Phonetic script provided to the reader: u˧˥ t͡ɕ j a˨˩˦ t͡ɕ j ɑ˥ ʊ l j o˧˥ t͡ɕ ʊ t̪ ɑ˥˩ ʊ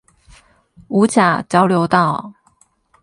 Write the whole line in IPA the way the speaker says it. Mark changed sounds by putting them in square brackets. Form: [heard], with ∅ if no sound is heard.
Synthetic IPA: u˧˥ t͡ɕ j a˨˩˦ t͡ɕ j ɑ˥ ʊ l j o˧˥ [∅] ʊ t̪ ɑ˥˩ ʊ